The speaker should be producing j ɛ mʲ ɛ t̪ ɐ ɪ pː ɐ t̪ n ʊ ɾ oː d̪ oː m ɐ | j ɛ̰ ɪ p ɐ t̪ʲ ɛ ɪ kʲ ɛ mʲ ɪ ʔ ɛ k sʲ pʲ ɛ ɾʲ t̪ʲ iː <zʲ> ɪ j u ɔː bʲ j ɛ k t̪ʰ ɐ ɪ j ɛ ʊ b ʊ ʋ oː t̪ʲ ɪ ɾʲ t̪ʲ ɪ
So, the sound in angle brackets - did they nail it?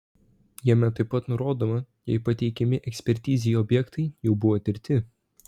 yes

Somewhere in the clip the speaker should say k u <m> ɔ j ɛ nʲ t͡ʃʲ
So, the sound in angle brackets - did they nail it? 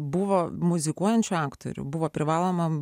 no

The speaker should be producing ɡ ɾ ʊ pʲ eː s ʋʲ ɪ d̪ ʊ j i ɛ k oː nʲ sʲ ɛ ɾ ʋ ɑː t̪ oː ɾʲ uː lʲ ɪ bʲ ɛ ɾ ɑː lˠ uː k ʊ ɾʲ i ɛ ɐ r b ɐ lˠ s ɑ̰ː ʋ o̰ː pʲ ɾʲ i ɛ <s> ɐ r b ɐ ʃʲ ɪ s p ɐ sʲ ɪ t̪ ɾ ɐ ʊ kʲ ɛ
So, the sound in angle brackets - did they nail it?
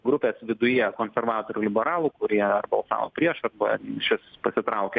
no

